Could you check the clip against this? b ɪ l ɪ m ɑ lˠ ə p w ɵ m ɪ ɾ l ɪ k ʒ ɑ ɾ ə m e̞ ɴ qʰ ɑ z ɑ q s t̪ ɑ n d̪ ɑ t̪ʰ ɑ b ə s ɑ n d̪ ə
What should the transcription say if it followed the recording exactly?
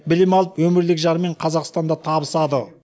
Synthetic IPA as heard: b ɪ l ɪ m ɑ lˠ ə p w ɵ m ɪ ɾ l ɪ k ʒ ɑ ɾ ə m e̞ ɴ qʰ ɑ z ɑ q s t̪ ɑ n d̪ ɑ t̪ʰ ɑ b ə s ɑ d̪ ə